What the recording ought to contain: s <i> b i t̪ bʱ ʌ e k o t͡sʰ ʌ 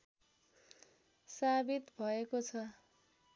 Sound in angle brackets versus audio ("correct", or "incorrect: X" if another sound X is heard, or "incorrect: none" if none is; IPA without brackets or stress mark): incorrect: a